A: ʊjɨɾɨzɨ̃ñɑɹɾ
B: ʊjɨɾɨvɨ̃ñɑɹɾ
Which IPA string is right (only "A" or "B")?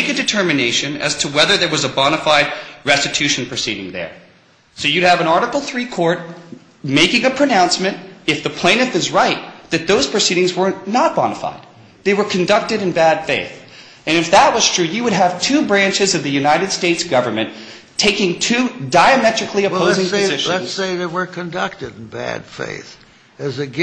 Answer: B